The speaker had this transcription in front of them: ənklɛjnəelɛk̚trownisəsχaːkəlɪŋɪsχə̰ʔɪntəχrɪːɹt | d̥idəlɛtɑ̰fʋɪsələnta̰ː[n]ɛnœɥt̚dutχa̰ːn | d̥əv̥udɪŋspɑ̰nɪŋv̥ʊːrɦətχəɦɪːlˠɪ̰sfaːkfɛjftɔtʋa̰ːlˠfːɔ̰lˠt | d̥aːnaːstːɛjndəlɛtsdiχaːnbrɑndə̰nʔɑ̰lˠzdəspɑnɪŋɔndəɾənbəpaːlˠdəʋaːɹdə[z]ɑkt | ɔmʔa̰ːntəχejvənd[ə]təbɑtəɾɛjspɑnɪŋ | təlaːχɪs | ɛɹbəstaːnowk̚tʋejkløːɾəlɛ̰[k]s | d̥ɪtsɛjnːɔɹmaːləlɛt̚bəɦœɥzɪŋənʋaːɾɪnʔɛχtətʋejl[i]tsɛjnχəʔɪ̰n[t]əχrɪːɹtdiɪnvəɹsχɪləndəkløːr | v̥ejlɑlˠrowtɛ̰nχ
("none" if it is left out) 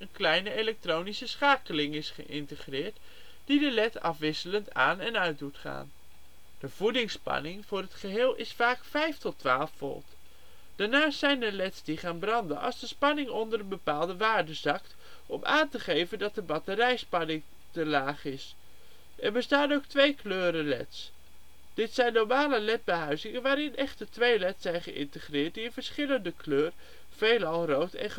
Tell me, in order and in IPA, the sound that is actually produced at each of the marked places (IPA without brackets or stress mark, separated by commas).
n, z, ɑ, t, ɛ, t